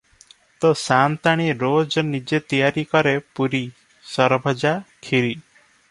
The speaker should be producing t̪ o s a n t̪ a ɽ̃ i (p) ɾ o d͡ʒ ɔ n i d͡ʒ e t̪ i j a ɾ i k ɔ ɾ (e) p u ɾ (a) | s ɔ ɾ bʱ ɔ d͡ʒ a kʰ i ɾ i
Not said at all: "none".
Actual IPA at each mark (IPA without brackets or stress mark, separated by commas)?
none, e, i